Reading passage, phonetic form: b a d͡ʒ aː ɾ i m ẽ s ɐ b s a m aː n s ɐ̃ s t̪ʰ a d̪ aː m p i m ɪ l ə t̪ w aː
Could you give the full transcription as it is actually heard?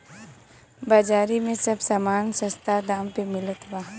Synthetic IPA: b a d͡ʒ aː ɾ i m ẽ s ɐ b s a m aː n s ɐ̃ s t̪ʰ a d̪ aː m p e m ɪ l ə t̪ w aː